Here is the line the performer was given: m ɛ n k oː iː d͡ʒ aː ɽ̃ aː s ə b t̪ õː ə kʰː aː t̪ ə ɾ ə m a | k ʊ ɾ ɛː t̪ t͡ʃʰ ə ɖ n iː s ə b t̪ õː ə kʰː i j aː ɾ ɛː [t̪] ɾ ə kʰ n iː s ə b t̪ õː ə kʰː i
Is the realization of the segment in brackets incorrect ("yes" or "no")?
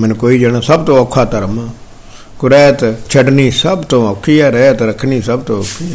no